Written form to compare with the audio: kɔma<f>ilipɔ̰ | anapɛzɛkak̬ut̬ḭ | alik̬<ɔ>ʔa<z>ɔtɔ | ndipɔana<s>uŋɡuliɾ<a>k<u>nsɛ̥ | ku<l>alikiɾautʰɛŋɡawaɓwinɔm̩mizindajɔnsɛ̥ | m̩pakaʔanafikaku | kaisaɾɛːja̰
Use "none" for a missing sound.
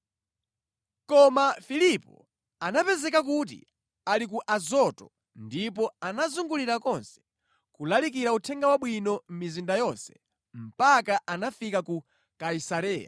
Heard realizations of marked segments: f, u, z, z, a, ɔ, l

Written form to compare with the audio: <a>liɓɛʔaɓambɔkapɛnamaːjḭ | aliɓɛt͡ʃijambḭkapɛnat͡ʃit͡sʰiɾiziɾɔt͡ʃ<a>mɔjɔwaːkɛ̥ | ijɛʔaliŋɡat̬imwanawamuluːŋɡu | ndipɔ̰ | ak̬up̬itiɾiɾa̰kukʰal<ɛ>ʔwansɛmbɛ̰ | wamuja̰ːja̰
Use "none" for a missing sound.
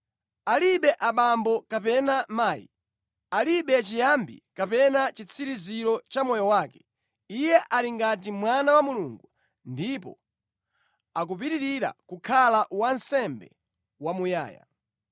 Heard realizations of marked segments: a, a, a

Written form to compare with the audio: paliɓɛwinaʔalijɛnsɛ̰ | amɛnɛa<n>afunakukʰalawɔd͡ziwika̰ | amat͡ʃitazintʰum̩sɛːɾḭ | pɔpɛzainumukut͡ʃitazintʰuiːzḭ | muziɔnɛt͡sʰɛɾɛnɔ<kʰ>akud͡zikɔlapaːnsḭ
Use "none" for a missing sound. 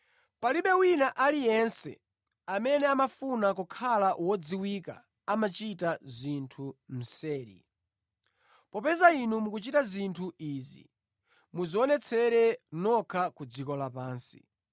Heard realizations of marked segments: m, kʰ

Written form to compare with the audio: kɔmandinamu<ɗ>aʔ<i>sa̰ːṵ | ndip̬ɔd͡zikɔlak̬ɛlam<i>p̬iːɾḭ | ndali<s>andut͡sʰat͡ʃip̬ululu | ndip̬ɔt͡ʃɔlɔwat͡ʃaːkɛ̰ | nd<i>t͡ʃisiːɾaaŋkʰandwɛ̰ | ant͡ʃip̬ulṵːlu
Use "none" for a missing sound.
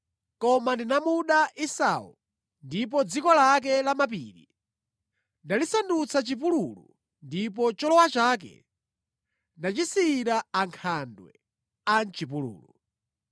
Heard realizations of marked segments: ɗ, i, a, s, a

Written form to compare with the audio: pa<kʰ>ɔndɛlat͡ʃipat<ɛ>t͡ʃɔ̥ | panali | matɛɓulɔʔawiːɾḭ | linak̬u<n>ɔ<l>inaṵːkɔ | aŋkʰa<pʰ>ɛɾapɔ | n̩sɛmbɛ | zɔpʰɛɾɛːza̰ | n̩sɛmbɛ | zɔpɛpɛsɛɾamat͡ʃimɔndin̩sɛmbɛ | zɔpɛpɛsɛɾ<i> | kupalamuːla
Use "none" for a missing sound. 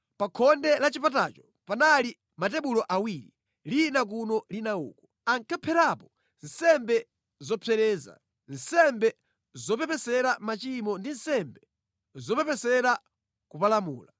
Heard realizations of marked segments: kʰ, a, n, l, pʰ, a

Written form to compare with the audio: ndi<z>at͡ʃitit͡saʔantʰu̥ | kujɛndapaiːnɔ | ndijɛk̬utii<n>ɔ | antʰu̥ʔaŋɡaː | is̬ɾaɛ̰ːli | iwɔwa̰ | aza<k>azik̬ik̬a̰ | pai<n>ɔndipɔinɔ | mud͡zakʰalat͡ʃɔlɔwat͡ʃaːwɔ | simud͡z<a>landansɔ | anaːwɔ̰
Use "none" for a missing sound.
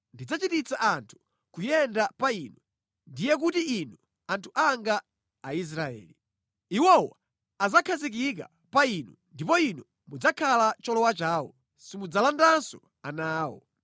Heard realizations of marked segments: d͡z, n, kʰ, n, a

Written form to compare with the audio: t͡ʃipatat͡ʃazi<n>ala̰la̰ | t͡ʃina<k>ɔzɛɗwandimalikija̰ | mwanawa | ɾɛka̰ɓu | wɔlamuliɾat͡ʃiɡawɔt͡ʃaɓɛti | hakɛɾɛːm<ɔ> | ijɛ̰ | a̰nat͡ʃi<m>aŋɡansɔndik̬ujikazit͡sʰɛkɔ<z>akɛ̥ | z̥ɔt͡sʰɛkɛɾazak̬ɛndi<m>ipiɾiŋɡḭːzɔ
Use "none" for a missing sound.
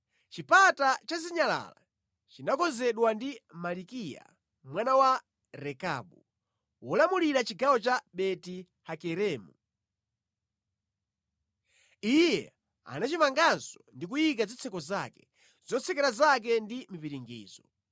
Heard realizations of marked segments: ɲ, k, u, m, z, m

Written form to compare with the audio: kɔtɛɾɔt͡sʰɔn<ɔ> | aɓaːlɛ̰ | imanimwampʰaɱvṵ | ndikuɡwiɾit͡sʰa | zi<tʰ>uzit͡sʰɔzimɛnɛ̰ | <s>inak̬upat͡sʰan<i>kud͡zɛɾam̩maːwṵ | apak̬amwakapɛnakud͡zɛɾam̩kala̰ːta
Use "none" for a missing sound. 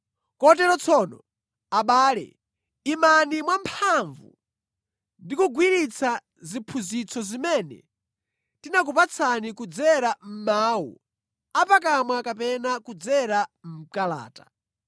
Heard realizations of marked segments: ɔ, pʰ, t, i

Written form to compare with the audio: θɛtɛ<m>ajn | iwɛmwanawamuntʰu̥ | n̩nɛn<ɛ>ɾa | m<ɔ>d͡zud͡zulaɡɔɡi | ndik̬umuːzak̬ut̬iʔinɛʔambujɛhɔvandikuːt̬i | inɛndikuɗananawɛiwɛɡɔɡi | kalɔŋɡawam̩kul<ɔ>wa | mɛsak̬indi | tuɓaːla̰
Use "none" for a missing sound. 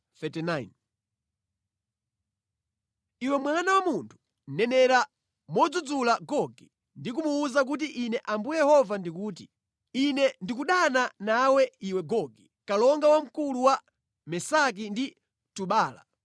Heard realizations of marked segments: n, ɛ, ɔ, u

